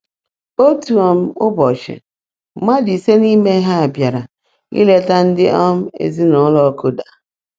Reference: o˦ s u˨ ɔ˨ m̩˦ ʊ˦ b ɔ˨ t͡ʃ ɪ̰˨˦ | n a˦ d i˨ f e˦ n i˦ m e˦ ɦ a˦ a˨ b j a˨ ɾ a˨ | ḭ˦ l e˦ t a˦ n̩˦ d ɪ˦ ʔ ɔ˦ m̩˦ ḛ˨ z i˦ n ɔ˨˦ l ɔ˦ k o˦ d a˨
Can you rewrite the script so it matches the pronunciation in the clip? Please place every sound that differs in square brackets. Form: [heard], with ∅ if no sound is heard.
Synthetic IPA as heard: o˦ [t] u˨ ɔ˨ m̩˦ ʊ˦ b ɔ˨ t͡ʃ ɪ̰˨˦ | [m] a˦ d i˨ [s] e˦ n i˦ m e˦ ɦ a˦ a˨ b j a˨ ɾ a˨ | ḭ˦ l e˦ t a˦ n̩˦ d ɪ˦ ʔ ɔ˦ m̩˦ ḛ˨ z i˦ n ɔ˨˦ l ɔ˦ k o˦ d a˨